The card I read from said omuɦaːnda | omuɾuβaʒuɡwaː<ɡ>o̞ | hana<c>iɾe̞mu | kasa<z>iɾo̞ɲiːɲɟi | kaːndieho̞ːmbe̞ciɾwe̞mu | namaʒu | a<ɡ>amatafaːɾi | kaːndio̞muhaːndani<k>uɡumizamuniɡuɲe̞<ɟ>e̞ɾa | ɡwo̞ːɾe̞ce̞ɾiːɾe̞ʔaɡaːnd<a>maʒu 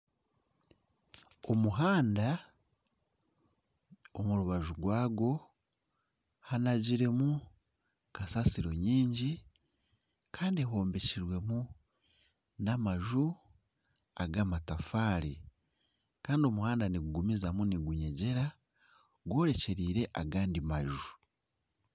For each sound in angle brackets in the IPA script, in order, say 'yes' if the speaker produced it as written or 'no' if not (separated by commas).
yes, no, no, yes, no, yes, no